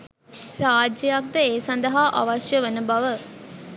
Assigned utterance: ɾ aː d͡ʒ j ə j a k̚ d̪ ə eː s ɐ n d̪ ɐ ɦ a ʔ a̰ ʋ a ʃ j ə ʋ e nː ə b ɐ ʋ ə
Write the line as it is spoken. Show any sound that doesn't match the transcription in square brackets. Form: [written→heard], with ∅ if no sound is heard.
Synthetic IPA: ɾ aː d͡ʒ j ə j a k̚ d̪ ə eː s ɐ n d̪ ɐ ɦ a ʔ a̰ ʋ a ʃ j ə ʋ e [nː→n] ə b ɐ ʋ ə